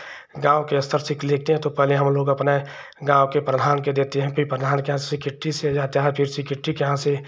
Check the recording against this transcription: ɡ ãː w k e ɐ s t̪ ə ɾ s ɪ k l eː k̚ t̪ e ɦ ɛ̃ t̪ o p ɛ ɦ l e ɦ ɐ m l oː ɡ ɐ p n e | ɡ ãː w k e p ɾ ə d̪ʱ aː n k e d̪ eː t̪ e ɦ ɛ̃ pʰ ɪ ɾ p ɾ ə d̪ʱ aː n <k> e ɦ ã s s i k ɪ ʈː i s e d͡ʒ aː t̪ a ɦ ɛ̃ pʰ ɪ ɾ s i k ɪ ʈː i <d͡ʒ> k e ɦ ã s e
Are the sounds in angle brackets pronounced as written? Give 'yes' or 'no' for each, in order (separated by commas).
yes, no